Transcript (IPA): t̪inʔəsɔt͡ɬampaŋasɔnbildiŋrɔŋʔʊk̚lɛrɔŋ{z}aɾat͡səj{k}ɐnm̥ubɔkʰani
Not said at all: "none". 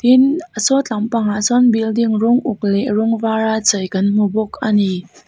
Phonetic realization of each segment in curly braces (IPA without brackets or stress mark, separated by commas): v, k